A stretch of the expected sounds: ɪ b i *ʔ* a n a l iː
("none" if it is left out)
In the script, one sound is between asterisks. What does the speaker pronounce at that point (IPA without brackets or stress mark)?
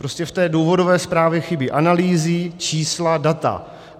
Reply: ʔ